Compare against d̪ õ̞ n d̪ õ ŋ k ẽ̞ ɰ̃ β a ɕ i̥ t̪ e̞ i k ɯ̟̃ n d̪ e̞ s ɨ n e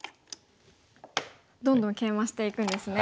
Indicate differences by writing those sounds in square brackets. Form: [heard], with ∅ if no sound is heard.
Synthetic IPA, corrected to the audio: d̪ õ̞ n d̪ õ ŋ k ẽ̞ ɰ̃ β a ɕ i̥ t̪ e̞ i k ɯ̟̃ n d̪ e̞ s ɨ n e